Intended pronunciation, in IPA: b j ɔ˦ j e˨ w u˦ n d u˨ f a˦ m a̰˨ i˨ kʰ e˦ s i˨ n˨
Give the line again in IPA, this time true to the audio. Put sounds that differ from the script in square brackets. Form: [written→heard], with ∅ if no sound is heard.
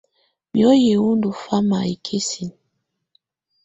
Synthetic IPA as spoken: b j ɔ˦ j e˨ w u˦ n d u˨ f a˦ m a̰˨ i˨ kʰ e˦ s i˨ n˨